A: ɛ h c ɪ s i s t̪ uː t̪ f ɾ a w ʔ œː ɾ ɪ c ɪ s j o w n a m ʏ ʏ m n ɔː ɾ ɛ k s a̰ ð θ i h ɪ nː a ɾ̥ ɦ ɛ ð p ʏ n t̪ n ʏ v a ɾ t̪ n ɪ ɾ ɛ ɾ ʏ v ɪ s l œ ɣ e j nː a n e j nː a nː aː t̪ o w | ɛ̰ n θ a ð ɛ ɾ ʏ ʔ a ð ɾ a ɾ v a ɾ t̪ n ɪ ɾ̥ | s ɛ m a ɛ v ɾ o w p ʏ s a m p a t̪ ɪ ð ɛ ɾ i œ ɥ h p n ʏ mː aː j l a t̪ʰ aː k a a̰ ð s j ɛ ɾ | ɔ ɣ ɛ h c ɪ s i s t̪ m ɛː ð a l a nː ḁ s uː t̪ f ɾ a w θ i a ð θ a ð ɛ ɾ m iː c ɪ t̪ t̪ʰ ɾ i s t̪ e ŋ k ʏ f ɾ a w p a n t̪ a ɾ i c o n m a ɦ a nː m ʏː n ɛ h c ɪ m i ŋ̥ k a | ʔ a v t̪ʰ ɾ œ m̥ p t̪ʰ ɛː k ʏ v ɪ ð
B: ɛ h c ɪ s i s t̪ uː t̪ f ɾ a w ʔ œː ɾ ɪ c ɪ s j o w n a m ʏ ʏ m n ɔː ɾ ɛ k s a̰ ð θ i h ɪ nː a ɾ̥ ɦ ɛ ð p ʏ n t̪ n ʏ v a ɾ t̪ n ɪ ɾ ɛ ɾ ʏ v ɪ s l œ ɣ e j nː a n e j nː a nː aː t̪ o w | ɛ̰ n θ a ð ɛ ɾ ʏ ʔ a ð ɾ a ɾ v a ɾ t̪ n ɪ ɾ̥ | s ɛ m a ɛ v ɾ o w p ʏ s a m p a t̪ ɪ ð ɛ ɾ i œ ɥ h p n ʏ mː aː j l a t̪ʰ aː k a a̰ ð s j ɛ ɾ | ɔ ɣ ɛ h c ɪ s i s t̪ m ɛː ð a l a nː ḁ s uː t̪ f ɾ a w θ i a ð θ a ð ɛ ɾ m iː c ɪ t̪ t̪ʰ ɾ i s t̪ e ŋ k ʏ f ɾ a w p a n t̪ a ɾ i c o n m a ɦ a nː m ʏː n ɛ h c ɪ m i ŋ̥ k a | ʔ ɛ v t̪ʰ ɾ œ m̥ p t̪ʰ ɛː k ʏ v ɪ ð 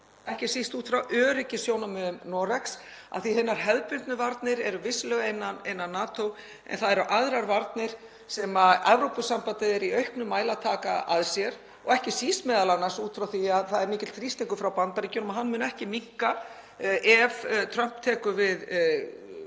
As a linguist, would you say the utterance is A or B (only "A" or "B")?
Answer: B